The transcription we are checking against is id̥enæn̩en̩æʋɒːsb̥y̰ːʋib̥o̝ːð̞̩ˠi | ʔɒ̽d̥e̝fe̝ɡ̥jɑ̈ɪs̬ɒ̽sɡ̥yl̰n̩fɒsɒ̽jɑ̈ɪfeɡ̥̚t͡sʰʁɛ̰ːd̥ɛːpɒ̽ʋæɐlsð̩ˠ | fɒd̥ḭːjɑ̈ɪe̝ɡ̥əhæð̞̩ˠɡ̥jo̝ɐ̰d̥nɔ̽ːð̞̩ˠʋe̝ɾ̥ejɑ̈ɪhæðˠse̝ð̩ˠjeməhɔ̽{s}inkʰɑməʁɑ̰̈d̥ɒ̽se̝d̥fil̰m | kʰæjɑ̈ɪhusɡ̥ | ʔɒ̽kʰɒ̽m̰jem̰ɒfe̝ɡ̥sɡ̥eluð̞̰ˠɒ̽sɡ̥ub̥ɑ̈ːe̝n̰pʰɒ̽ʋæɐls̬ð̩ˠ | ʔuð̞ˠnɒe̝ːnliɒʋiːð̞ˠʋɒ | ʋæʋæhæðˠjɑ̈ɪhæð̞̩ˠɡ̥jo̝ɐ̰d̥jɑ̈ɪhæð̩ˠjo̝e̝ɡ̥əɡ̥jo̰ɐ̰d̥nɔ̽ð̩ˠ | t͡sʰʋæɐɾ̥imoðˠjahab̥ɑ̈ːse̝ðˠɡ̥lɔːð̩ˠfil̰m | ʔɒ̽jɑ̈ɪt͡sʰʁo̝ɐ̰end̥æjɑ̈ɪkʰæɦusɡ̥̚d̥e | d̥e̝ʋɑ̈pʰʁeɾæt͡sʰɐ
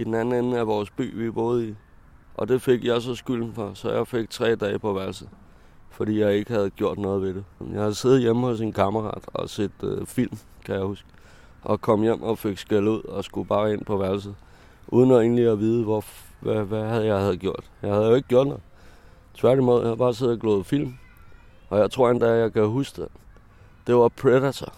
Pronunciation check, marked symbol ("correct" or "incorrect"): correct